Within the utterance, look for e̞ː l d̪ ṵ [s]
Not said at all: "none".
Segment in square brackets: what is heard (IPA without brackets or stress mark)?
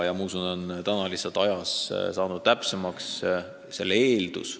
s